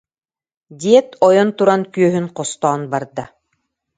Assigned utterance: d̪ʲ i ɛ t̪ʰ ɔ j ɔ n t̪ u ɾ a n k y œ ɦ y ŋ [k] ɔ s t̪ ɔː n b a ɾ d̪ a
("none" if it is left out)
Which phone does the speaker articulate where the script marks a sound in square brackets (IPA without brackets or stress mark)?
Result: q